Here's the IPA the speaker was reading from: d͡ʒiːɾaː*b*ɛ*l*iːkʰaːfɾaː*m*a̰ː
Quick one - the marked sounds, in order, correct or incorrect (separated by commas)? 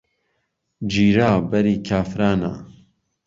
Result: correct, incorrect, incorrect